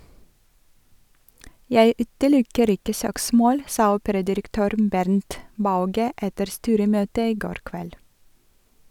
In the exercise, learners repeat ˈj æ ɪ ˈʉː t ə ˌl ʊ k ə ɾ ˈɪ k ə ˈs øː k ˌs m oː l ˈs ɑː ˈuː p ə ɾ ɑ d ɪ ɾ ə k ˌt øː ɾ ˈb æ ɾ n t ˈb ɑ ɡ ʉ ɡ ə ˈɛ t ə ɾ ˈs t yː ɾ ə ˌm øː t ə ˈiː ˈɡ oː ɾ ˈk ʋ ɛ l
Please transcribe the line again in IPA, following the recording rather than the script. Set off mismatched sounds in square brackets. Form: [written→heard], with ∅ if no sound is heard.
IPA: ˈj æ ɪ ˈʉː t ə ˌl ʊ k ə ɾ ˈɪ k ə ˈs øː k ˌs m oː l ˈs ɑː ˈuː p ə ɾ ɑ d ɪ ɾ ə k ˌt øː ɾ ˈb æ ɾ n t ˈb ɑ [ɡ→∅] ʉ ɡ ə ˈɛ t ə ɾ ˈs t yː ɾ ə ˌm øː t ə ˈiː ˈɡ oː ɾ ˈk ʋ ɛ l